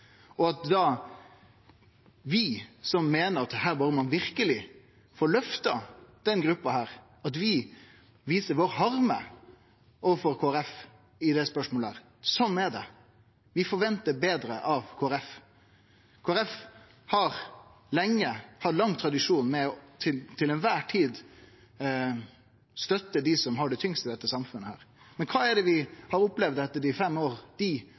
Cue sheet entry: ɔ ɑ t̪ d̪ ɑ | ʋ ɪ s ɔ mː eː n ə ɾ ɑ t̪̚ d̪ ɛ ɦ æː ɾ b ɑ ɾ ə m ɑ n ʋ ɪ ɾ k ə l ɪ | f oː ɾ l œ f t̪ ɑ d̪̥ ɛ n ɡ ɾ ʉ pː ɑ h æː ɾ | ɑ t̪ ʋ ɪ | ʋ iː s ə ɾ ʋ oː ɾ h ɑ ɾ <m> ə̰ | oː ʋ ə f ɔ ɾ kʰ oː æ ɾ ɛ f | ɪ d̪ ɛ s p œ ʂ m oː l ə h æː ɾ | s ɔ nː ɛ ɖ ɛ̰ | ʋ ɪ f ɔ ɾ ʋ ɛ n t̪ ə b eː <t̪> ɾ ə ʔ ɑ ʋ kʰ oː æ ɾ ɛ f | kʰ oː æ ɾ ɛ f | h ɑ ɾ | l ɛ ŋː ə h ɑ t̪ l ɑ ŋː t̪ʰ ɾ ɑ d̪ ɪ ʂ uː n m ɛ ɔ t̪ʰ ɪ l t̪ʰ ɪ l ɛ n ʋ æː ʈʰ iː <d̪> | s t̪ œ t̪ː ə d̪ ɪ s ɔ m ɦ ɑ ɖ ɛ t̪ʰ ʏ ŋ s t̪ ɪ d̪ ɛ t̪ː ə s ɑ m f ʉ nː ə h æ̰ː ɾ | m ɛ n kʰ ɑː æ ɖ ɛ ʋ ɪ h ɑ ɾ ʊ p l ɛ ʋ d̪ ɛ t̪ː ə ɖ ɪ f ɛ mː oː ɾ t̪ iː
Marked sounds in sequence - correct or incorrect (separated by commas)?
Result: correct, incorrect, correct